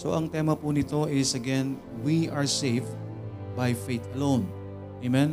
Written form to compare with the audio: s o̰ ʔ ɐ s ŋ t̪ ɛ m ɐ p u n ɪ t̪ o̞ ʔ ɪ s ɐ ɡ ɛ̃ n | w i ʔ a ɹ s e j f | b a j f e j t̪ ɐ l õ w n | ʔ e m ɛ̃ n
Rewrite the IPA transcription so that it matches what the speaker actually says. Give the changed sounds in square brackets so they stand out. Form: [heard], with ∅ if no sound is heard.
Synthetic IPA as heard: s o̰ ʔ ɐ [∅] ŋ t̪ ɛ m ɐ p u n ɪ t̪ o̞ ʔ ɪ s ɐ ɡ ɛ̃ n | w i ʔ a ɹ s e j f | b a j f e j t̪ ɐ l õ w n | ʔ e m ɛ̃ n